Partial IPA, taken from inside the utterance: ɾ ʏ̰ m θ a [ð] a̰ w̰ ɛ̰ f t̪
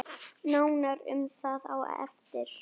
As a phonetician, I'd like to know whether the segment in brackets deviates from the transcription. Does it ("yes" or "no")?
no